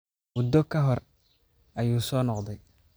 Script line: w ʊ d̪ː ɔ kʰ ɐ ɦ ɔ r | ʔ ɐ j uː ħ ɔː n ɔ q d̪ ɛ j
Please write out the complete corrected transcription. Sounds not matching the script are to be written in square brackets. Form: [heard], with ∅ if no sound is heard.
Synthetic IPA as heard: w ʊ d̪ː ɔ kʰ ɐ ɦ ɔ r | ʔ ɐ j uː [s] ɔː n ɔ q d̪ ɛ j